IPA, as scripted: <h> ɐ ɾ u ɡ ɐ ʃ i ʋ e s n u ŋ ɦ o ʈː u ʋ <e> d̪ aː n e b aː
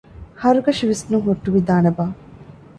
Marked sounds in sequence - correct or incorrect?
correct, incorrect: i

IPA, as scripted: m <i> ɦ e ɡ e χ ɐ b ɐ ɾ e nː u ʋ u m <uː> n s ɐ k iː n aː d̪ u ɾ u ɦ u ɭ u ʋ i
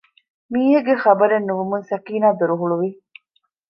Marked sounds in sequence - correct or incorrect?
incorrect: iː, incorrect: u

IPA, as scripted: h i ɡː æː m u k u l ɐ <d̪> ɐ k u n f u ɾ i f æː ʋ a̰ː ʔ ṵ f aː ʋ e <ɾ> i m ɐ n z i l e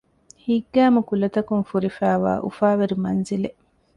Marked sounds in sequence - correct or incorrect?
incorrect: t̪, correct

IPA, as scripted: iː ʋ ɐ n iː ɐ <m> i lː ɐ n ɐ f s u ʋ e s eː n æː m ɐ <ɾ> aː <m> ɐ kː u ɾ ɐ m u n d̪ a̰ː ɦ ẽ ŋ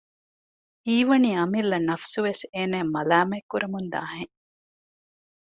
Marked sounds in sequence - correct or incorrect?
correct, incorrect: l, correct

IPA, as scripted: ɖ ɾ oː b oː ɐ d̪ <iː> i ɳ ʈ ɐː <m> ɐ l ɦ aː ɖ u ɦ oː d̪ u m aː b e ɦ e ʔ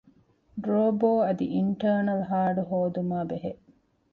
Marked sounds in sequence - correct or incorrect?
incorrect: i, incorrect: n

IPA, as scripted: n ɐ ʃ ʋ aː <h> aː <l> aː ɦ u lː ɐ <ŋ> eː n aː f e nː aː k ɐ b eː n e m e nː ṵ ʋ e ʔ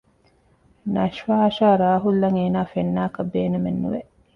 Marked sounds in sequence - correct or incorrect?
incorrect: ʃ, incorrect: ɾ, correct

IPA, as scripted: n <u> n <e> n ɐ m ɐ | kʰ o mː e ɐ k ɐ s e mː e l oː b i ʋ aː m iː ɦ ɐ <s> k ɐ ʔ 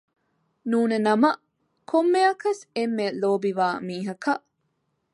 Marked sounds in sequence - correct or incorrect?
incorrect: uː, correct, incorrect: none

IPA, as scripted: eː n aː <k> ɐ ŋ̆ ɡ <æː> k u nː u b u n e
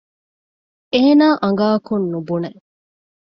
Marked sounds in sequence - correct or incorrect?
incorrect: ʔ, incorrect: aː

